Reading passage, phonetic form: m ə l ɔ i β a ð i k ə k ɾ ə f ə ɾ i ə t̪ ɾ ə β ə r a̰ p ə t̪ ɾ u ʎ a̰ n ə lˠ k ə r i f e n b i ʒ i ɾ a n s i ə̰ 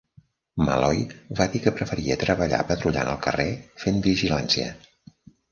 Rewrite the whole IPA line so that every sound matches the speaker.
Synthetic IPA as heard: m ə l ɔ j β a ð i k ə p ɾ ə f ə ɾ i ə t̪ ɾ ə β ə ʎ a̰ p ə t̪ ɾ u ʎ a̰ n ə lˠ k ə r e f e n b i ʒ i l a n s i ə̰